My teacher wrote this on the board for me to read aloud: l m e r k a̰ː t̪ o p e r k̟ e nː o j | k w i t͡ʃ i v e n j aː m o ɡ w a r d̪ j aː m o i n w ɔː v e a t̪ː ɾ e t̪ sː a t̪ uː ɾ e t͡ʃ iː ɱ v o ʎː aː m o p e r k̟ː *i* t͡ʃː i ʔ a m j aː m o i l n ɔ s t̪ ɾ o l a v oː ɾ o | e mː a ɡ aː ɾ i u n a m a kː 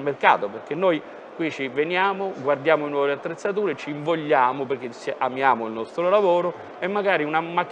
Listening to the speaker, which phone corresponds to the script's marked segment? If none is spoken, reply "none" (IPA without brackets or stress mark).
e